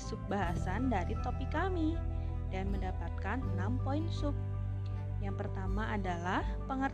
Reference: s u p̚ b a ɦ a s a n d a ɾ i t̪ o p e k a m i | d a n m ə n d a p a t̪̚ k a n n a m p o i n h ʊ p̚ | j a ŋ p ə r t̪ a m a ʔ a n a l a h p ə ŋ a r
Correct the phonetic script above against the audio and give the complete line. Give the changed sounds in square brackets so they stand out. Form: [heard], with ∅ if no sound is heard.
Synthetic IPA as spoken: s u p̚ b a ɦ a s a n d a ɾ i t̪ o p [i] k a m i | d a n m ə n d a p a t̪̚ k a n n a m p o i n [s] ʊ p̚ | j a ŋ p ə r t̪ a m a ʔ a [d] a l a h p ə ŋ [ə] r